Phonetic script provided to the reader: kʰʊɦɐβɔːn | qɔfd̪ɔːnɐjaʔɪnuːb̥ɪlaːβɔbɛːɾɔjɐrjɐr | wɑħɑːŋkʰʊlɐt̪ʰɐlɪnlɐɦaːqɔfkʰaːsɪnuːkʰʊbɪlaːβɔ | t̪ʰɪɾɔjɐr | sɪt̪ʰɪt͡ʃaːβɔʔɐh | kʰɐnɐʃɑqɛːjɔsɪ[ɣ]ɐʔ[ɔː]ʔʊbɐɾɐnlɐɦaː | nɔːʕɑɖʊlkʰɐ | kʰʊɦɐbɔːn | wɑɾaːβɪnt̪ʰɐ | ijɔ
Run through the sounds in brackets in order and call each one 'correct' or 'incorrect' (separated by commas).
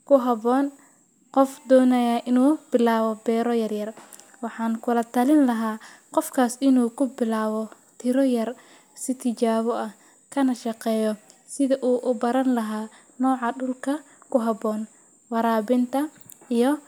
incorrect, incorrect